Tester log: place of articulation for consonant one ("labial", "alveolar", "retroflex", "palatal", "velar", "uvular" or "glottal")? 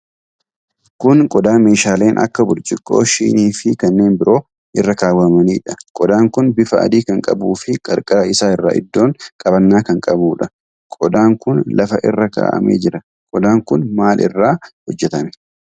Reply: velar